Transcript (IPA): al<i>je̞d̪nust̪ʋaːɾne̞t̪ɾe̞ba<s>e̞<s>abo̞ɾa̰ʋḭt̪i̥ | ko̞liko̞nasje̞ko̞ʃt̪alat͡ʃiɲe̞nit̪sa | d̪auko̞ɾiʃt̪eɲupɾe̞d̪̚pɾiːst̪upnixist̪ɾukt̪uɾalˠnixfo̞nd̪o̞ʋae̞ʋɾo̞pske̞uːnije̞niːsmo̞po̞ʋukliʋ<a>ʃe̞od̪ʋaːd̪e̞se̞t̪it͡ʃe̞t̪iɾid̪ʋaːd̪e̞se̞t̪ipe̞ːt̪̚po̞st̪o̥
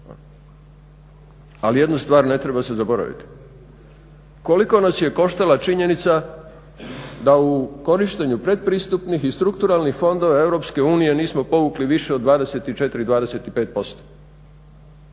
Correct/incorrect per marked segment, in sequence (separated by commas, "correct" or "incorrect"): correct, correct, incorrect, incorrect